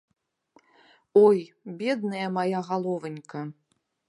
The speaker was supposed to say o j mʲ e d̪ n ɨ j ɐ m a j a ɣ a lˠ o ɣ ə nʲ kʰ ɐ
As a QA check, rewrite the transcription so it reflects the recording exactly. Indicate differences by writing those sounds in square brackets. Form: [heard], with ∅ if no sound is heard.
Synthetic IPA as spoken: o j [bʲ] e d̪ n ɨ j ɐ m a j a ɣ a lˠ o [v] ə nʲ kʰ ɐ